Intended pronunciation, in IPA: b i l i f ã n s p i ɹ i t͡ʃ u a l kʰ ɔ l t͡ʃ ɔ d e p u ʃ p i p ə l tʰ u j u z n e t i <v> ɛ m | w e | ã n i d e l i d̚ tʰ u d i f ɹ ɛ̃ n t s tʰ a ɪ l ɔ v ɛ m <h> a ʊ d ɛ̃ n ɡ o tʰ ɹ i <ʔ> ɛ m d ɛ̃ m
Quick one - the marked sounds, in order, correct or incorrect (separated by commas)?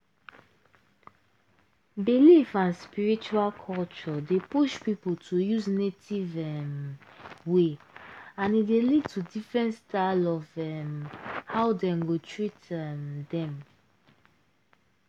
correct, correct, incorrect